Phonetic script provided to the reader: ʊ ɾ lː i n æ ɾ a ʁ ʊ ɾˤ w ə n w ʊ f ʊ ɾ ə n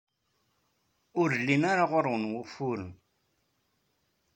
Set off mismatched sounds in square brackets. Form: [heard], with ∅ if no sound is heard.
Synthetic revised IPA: ʊ ɾ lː i n [a] ɾ a ʁ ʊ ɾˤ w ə n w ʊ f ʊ ɾ ə n